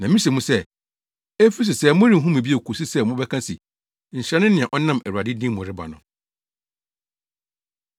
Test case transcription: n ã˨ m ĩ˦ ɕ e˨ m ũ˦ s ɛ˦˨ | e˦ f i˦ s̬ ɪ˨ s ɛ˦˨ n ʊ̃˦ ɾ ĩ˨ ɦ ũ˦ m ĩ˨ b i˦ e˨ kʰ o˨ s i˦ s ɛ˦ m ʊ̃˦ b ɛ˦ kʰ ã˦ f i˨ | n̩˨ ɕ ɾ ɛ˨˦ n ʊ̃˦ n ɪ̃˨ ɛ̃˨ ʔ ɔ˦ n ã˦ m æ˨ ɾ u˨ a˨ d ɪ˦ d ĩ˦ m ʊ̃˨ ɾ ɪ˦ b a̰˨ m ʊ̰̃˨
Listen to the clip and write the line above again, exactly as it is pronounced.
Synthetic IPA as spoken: n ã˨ m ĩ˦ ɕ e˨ m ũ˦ s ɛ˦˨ | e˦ f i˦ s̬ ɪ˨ s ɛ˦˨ m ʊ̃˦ ɾ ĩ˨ ɦ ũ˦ m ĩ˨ b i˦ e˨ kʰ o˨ s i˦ s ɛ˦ m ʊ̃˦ b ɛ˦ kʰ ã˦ s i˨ | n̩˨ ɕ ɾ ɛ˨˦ n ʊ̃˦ n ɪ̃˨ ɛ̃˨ ʔ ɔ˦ n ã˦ m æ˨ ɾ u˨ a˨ d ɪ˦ d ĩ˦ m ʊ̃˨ ɾ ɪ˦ b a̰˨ n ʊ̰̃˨